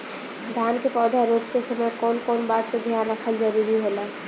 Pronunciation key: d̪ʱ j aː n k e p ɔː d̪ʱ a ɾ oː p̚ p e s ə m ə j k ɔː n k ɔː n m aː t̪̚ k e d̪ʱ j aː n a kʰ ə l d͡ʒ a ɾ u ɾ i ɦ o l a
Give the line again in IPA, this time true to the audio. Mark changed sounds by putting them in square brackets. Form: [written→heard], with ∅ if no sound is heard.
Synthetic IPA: d̪ʱ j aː n k e p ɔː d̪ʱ a ɾ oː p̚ [p→k] e s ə m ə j k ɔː n k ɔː n [m→b] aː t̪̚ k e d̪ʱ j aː n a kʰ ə l d͡ʒ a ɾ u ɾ i ɦ o l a